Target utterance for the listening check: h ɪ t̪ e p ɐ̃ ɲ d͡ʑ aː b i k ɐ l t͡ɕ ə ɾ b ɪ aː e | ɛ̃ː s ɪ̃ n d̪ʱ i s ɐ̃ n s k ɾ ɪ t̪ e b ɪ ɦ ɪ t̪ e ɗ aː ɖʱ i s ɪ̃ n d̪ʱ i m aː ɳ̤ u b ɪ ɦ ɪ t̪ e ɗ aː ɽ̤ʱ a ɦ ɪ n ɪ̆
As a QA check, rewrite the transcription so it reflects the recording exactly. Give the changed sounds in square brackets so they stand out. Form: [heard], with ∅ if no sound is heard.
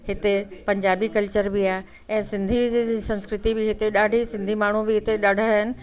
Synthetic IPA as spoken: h ɪ t̪ e p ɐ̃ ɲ d͡ʑ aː b i k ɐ l t͡ɕ ə ɾ b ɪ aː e | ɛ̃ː s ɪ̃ n d̪ʱ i s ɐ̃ n s k ɾ ɪ t̪ [i] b ɪ ɦ ɪ t̪ e ɗ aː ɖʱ i s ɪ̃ n d̪ʱ i m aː ɳ̤ u b ɪ ɦ ɪ t̪ e ɗ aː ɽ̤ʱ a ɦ ɪ n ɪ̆